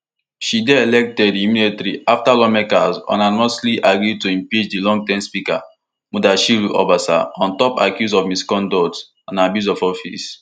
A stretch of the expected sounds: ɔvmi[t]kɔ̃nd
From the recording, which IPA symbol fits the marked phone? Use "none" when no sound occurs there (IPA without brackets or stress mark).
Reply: s